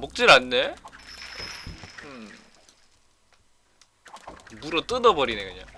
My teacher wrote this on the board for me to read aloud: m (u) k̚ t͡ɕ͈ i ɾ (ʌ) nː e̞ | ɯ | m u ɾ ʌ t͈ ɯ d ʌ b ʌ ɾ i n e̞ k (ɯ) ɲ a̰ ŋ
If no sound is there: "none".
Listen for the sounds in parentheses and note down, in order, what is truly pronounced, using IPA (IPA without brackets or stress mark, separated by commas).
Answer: o, a, ɯ